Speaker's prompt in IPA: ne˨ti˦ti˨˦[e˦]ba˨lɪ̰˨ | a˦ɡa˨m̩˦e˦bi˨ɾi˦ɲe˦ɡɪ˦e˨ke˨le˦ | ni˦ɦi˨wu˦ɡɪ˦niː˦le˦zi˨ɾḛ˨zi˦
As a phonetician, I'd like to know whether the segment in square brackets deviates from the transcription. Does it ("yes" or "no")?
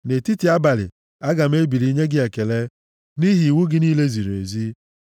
yes